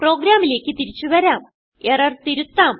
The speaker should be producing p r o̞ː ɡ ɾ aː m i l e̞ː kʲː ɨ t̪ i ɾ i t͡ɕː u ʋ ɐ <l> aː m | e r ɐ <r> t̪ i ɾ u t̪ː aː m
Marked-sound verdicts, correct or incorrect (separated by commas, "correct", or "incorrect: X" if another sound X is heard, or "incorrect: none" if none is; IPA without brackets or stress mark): incorrect: ɾ, correct